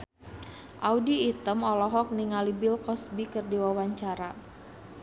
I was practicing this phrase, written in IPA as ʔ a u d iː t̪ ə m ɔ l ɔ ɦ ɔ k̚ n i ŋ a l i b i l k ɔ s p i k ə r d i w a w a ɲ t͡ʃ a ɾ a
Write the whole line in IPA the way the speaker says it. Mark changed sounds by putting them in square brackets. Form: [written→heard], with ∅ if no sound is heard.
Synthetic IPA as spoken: ʔ a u d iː t̪ ə m ɔ l ɔ ɦ ɔ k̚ n i ŋ a l i b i l k ɔ s [p→b] i k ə r d i w a w a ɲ t͡ʃ a ɾ a